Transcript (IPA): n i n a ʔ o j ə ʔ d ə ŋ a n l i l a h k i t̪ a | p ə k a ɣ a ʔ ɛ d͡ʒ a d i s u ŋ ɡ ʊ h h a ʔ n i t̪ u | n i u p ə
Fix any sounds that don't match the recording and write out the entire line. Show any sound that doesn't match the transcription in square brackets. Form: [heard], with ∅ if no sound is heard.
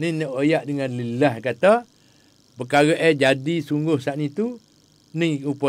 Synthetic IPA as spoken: n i n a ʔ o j [a] ʔ d ə ŋ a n l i l a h k [a] t̪ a | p ə k a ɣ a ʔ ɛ d͡ʒ a d i s u ŋ ɡ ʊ h [s] a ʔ n i t̪ u | n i u p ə